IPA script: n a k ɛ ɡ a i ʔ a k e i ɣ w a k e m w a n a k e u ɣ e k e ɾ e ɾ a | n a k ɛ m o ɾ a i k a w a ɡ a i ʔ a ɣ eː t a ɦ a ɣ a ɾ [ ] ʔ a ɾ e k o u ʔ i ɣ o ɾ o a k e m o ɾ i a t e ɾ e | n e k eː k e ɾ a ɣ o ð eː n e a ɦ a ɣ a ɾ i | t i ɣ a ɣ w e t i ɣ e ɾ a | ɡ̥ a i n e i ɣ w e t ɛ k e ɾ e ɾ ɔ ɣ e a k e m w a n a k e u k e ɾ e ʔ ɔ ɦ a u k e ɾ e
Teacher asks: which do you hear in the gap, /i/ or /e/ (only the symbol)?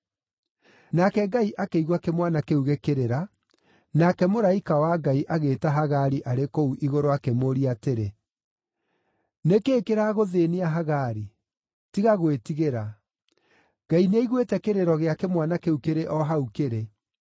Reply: i